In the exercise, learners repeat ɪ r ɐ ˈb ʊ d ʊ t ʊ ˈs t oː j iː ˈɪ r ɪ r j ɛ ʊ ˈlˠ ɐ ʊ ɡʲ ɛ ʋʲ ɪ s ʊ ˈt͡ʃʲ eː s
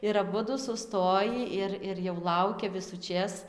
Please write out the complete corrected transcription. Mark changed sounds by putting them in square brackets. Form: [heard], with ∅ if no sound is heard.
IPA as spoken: ɪ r ɐ ˈb ʊ d ʊ [s] ʊ ˈs t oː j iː ˈɪ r ɪ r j ɛ ʊ ˈlˠ ɐ ʊ [kʲ] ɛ ʋʲ ɪ s ʊ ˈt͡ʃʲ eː s